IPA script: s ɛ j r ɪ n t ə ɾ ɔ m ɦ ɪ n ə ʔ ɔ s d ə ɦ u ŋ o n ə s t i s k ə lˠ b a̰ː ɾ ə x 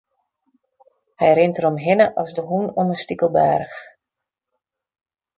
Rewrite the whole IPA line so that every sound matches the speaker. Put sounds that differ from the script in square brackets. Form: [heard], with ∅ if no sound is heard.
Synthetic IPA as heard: [h] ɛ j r ɪ n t ə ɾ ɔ m ɦ ɪ n ə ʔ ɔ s d ə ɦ u [n] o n ə s t i [∅] k ə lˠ b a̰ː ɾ ə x